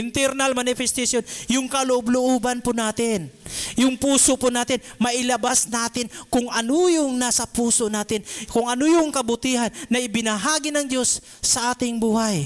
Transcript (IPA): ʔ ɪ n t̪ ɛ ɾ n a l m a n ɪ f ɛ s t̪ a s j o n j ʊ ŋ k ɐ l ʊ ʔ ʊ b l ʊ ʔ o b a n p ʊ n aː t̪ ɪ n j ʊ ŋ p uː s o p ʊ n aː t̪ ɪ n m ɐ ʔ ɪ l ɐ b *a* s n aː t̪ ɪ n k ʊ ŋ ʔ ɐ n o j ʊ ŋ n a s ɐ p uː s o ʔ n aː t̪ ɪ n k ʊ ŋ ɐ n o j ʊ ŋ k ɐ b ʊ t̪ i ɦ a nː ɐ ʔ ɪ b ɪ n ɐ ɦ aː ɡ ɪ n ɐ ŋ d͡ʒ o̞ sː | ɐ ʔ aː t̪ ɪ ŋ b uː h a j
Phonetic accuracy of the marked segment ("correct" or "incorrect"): correct